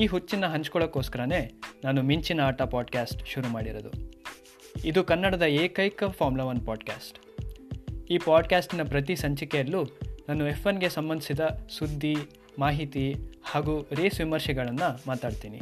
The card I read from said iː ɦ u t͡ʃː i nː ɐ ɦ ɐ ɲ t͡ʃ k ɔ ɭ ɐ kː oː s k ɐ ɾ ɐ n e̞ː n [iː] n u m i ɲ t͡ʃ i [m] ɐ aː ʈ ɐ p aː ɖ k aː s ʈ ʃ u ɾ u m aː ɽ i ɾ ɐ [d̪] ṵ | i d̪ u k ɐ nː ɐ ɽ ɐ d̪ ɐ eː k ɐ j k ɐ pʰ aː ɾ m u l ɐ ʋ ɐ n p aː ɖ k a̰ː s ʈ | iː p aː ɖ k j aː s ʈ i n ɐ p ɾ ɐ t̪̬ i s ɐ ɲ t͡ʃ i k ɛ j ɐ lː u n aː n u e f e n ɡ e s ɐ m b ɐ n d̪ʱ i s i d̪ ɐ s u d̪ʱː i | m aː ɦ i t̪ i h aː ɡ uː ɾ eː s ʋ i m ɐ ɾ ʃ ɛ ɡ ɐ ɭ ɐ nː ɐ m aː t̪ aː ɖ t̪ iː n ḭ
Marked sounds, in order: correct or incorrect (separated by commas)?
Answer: incorrect, incorrect, correct